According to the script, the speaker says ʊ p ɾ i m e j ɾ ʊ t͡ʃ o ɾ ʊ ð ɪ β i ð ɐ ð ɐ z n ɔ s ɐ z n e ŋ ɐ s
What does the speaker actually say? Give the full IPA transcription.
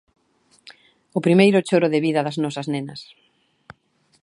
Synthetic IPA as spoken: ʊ p ɾ i m e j ɾ ʊ t͡ʃ o ɾ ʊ ð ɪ β i ð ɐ ð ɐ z n ɔ s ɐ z n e n ɐ s